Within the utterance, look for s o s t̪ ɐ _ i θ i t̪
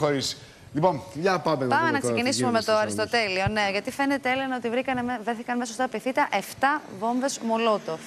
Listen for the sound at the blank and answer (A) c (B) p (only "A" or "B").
B